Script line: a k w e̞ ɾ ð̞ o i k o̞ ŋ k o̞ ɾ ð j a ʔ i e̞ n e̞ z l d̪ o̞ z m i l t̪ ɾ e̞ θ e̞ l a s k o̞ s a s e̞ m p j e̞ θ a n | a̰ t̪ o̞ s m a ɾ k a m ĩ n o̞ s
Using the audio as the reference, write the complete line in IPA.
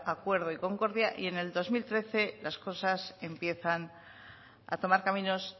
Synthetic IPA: a k w e̞ ɾ ð̞ o i k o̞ ŋ k o̞ ɾ ð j a ʔ i e̞ n e̞ l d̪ o̞ z m i l t̪ ɾ e̞ θ e̞ l a s k o̞ s a s e̞ m p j e̞ θ a n | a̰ t̪ o̞ m a ɾ k a m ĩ n o̞ s